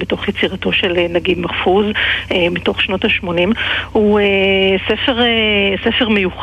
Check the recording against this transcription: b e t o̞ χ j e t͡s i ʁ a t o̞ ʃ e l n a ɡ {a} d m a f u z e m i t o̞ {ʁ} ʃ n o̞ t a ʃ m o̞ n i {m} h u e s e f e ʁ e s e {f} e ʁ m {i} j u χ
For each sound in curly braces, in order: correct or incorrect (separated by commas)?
incorrect, incorrect, correct, correct, incorrect